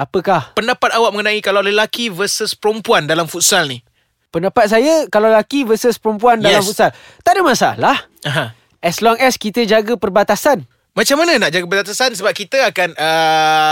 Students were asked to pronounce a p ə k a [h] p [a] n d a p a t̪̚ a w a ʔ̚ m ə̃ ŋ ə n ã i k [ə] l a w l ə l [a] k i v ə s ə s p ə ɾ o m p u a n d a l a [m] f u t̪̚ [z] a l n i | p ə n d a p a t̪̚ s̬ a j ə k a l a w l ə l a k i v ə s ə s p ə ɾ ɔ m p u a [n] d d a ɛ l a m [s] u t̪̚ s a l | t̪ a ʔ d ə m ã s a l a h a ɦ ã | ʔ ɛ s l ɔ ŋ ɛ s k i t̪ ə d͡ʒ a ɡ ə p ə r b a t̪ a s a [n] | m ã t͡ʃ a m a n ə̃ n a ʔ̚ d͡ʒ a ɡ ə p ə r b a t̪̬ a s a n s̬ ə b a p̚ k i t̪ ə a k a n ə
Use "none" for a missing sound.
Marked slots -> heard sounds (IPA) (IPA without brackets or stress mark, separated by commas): h, ə, a, a, m, s, n, f, n